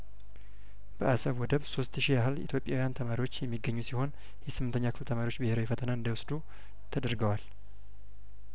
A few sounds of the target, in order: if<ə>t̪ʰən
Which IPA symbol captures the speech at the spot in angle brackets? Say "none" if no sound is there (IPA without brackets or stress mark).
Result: ə